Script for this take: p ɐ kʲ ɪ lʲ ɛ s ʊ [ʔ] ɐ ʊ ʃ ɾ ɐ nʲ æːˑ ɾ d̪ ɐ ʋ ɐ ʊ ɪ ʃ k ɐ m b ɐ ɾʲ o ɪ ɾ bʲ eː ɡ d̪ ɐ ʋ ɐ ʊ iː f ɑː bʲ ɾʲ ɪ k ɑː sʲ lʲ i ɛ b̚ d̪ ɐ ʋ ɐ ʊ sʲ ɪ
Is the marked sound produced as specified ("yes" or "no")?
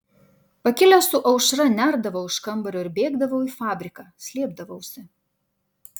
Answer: yes